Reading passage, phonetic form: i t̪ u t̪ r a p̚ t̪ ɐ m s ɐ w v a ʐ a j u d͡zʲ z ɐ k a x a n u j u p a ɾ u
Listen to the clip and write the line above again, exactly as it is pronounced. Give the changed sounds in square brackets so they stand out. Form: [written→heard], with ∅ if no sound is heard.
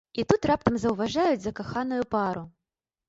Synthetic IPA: i t̪ u t̪ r a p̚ t̪ ɐ m [s→z] ɐ w v a ʐ a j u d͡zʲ z ɐ k a x a n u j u p a ɾ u